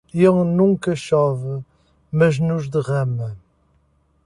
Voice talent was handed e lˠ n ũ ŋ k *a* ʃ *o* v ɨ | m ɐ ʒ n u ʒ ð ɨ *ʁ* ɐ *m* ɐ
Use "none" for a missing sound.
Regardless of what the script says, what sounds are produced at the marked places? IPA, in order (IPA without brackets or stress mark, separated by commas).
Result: ɐ, ɔ, ʁ, m